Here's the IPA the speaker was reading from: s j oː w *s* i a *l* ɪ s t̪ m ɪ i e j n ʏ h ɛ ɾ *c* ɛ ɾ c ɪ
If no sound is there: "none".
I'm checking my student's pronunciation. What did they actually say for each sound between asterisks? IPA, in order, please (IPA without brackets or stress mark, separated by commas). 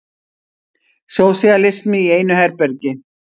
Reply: s, l, p